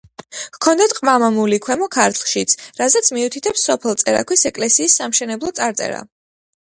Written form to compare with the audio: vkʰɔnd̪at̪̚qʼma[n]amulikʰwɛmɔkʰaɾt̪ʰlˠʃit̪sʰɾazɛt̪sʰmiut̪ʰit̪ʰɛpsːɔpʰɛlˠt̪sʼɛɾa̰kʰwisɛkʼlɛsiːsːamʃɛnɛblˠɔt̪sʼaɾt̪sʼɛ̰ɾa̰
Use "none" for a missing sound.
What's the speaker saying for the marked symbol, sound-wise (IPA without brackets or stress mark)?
m